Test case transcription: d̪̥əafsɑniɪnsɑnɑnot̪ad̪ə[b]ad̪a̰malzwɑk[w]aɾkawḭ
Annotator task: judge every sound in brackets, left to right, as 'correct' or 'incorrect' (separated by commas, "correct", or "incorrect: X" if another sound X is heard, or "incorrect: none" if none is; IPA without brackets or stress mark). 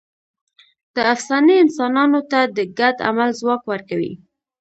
incorrect: ɡ, correct